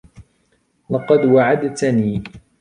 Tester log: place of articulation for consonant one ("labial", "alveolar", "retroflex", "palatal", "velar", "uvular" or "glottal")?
alveolar